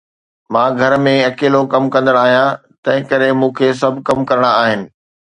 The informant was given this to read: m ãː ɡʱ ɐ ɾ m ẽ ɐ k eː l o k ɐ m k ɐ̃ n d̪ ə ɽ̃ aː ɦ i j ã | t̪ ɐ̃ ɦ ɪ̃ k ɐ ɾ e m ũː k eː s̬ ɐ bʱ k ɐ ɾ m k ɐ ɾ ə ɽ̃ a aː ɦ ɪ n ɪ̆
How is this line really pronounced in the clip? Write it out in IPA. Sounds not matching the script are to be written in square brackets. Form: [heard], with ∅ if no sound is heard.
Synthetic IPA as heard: m ãː ɡʱ ɐ ɾ m ẽ ɐ k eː l o k ɐ m k ɐ̃ n d̪ ə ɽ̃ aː ɦ i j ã | t̪ ɐ̃ ɦ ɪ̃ k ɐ ɾ e m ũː [kʰ] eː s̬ ɐ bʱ k ɐ [∅] m k ɐ ɾ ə ɽ̃ a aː ɦ ɪ n ɪ̆